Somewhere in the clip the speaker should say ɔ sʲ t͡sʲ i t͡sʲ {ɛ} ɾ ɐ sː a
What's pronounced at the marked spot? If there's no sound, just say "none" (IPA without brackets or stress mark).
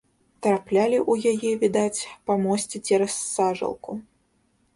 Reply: ɛ